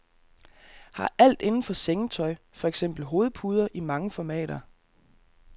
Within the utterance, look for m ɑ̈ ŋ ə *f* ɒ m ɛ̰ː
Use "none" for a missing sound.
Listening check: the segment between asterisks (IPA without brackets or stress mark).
f